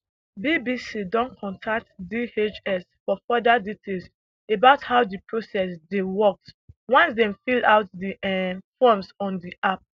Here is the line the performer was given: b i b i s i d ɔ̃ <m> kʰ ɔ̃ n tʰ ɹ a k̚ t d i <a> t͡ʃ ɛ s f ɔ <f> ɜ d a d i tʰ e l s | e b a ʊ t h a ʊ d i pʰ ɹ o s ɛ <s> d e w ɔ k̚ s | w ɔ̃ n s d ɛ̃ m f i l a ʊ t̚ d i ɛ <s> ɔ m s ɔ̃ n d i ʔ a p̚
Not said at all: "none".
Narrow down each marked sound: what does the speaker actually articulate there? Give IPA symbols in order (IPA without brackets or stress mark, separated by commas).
n, e, f, s, f